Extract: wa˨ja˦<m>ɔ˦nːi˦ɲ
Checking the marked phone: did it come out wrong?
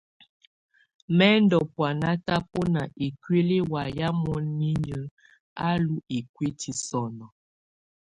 no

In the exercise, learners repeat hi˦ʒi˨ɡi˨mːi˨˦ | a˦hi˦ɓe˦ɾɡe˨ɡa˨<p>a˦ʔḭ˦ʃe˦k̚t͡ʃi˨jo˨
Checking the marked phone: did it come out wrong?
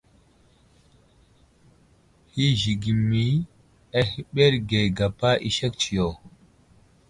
no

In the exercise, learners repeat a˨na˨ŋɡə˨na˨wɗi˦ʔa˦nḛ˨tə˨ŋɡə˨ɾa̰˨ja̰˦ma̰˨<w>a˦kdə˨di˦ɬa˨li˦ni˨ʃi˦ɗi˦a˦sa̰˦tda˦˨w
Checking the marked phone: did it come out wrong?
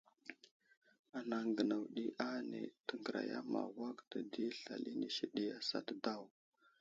no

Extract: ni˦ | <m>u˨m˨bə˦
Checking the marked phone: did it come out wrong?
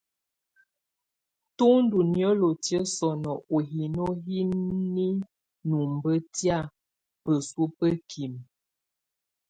yes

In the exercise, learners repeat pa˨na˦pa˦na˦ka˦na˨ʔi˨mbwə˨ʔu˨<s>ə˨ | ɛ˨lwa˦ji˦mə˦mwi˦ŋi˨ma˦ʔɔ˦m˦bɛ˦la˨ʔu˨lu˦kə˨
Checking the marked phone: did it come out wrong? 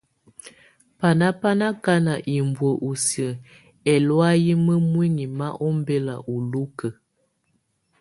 no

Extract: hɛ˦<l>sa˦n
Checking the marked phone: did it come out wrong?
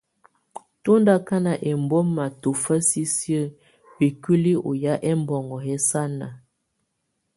yes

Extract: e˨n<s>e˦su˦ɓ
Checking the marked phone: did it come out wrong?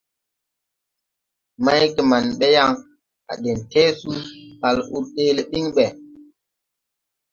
yes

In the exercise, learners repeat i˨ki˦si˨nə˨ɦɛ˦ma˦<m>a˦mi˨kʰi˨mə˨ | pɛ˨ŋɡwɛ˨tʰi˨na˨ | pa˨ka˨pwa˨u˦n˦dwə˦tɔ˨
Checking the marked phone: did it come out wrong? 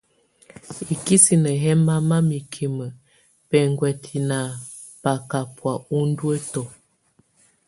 no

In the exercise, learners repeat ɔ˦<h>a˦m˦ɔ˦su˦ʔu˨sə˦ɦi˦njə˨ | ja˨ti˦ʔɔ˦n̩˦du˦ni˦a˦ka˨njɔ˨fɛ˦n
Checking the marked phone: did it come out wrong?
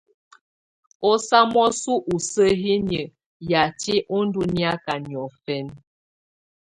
yes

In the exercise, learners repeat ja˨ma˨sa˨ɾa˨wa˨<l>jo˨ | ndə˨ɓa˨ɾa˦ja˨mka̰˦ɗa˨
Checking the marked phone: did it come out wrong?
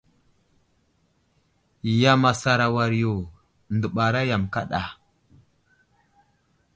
yes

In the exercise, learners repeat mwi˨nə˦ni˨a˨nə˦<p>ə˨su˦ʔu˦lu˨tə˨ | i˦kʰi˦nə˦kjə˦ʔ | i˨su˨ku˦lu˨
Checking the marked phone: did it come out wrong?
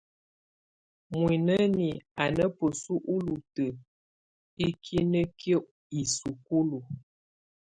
no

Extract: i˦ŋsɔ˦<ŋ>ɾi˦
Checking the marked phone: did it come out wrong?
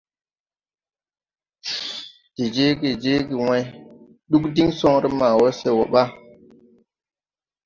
no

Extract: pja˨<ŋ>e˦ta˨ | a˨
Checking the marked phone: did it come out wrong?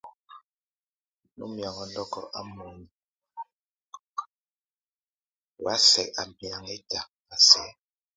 no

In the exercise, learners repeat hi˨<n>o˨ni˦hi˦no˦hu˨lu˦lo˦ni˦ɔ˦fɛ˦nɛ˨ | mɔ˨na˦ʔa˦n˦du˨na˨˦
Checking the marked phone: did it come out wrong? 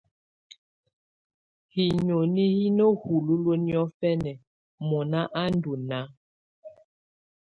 yes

